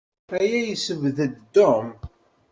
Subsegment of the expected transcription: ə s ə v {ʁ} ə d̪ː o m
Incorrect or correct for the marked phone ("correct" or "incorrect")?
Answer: incorrect